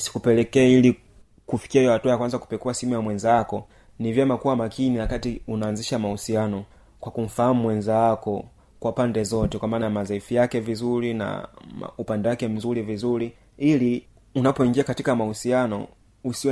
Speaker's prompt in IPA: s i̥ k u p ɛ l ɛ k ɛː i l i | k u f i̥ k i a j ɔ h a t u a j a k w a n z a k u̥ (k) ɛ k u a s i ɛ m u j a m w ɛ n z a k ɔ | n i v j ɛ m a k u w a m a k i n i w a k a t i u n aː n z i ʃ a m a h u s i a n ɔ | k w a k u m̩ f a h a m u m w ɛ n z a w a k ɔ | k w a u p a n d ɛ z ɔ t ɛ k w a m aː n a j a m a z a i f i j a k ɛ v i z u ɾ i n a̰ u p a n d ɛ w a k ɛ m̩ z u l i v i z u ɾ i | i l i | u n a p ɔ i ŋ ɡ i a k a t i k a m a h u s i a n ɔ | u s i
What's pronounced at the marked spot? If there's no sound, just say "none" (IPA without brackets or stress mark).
p